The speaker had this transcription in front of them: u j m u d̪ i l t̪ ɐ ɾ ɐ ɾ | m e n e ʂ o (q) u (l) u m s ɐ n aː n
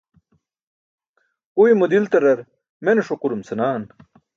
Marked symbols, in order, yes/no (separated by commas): yes, no